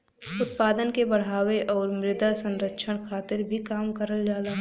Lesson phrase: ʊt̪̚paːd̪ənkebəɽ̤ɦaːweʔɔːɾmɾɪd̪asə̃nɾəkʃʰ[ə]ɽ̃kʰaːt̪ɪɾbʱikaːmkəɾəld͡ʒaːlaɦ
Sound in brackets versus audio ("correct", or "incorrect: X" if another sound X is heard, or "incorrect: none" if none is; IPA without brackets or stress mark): correct